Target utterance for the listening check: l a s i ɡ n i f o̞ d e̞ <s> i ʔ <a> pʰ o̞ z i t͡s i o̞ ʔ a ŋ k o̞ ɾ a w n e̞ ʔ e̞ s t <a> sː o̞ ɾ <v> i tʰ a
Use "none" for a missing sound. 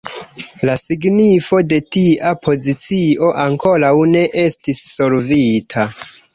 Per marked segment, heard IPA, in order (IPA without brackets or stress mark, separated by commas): t, a, i, v